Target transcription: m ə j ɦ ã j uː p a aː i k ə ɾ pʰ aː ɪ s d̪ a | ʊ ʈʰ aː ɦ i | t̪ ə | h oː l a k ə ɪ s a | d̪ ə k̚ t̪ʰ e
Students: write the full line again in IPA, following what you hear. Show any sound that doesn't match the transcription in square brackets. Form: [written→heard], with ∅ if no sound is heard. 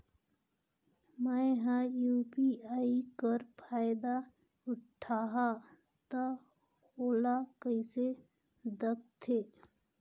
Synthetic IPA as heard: m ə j ɦ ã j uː p [a→i] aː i k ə ɾ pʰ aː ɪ [s→∅] d̪ a | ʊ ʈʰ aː ɦ [i→a] | t̪ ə | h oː l a k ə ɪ s [a→e] | d̪ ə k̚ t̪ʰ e